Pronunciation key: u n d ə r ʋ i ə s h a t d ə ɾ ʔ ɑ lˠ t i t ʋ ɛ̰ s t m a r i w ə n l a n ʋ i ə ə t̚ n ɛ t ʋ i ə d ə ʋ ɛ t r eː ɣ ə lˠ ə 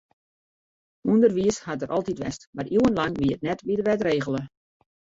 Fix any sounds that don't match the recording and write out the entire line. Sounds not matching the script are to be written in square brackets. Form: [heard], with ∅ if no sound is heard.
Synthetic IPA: u n d ə r ʋ i ə s h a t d ə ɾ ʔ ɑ lˠ t i t ʋ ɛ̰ s t m a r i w ə n l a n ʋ i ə ə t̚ n ɛ t ʋ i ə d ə ʋ ɛ t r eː ɣ ə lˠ ə

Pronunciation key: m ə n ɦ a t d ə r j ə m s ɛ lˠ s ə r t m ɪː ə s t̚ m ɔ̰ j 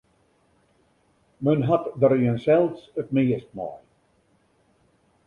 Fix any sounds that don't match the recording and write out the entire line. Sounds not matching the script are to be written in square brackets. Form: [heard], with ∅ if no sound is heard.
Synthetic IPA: m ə n ɦ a t d ə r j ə [n] s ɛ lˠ s ə [∅] t m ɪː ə s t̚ m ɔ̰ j

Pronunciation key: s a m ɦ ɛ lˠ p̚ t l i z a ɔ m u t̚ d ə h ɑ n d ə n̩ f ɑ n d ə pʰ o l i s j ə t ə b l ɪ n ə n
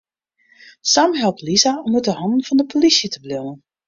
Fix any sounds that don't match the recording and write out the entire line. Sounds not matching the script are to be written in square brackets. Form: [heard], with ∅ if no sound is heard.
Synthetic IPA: s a m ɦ ɛ lˠ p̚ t l i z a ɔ m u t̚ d ə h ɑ n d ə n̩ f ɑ n d ə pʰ o l i s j ə t ə b l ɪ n ə n

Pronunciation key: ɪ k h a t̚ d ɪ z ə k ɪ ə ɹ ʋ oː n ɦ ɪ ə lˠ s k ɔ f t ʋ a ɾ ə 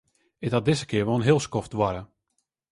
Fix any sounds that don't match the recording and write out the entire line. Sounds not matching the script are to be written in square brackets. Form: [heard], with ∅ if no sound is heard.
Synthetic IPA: ɪ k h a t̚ d ɪ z ə k ɪ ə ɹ ʋ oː n ɦ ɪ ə lˠ s k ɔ f t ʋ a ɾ ə

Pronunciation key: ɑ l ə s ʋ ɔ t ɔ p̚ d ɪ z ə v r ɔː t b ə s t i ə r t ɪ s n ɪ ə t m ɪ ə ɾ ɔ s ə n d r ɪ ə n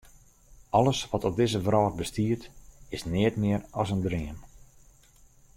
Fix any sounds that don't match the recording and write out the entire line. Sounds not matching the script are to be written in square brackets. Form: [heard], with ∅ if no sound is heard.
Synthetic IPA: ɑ l ə s ʋ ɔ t ɔ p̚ d ɪ z ə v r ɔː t b ə s t i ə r t ɪ s n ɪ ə t m ɪ ə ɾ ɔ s ə n d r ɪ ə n

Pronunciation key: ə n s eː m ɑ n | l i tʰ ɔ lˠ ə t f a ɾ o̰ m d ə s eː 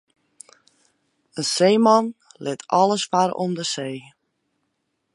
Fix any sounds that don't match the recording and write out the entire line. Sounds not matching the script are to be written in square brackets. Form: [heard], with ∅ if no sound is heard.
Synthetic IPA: ə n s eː m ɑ n | l [ɪ] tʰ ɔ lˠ ə [s] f a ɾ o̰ m d ə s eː

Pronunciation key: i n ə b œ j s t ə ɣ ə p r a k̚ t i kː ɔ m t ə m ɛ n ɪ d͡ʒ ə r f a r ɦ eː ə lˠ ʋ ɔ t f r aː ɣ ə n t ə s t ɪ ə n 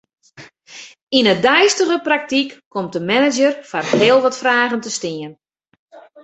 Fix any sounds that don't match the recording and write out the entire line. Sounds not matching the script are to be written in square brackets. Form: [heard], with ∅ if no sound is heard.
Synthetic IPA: i n ə [d] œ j s t ə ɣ ə p r a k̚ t i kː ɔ m t ə m ɛ n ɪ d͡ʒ ə r f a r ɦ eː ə lˠ ʋ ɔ t f r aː ɣ ə n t ə s t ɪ ə n

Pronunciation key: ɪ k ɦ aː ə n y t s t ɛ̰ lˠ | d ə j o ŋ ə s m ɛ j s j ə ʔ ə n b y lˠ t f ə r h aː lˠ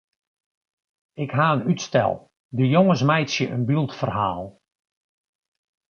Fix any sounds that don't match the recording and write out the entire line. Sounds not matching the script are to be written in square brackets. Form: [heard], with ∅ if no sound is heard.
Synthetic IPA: ɪ k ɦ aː ə n y t s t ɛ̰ lˠ | d ə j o ŋ ə s m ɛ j s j ə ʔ ə n b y lˠ t f ə r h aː lˠ

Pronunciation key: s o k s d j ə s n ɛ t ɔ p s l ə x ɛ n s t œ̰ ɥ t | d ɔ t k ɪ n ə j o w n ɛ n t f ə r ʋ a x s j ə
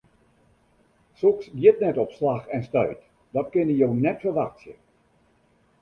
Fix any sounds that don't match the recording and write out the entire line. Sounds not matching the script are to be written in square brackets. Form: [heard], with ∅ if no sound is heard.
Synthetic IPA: s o k s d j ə [t] n ɛ t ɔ p s l [a] x ɛ n s t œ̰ ɥ t | d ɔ t k ɪ n ə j o w n ɛ [∅] t f ə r ʋ a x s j ə

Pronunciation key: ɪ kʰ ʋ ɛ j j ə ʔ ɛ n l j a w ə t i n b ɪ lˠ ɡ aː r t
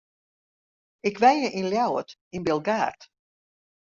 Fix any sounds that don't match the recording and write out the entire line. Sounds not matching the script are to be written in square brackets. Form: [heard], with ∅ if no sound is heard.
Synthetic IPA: ɪ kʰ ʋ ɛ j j ə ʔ [i] n l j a w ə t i n b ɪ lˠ ɡ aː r t

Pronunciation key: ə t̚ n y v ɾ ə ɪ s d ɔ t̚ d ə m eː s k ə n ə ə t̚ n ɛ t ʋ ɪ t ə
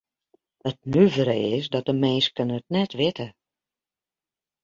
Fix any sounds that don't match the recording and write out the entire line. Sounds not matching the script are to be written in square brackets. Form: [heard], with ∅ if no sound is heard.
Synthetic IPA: ə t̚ n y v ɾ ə ɪ s d ɔ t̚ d ə m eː s k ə n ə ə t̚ n ɛ t ʋ ɪ t ə

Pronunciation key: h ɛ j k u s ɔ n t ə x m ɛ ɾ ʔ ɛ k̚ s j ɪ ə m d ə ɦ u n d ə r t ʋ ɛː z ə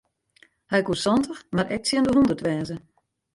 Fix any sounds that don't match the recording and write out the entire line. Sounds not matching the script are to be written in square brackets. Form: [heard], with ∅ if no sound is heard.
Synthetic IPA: h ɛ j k u s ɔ n t ə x m [a] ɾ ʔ ɛ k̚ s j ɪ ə [n] d ə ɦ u n d ə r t ʋ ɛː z ə

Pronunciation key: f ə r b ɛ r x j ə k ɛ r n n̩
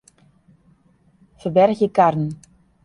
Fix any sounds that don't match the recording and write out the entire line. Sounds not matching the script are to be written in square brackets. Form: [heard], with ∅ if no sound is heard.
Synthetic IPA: f ə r b ɛ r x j ə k [a] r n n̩

